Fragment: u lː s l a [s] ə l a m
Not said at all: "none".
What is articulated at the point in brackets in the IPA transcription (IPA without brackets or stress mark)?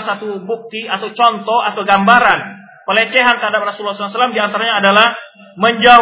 s